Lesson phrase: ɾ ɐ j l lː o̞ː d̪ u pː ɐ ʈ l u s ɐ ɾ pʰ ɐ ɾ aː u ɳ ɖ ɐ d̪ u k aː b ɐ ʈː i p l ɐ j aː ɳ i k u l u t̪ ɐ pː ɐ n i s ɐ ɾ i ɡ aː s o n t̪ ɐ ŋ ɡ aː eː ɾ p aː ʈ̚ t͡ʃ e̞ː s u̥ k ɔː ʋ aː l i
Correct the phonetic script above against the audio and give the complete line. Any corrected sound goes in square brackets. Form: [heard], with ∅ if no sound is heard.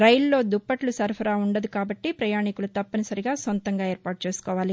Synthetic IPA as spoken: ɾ ɐ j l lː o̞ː d̪ u pː ɐ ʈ l u s ɐ ɾ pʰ ɐ ɾ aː u ɳ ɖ ɐ d̪ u k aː b ɐ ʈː i p [ɾ] ɐ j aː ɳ i k u l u t̪ ɐ pː ɐ n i s ɐ ɾ i ɡ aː s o n t̪ ɐ ŋ ɡ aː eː ɾ p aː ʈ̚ t͡ʃ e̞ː s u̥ k ɔː ʋ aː l i